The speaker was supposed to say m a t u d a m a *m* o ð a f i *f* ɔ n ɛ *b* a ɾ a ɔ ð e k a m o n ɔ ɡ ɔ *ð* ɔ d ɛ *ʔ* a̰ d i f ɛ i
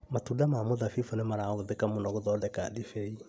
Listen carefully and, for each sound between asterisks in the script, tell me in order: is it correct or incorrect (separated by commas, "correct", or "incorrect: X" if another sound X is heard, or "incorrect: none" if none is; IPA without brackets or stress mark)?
correct, correct, incorrect: m, correct, incorrect: k